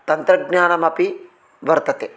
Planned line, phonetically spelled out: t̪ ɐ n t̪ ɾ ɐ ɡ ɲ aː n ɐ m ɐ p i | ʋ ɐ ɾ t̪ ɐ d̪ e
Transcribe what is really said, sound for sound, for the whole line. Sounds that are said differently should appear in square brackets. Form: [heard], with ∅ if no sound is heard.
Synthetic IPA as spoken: t̪ ɐ n t̪ ɾ ɐ ɡ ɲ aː n ɐ m ɐ p i | ʋ ɐ ɾ t̪ ɐ [t̪] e